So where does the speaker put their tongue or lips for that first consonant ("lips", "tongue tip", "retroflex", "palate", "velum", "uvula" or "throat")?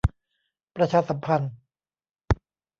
lips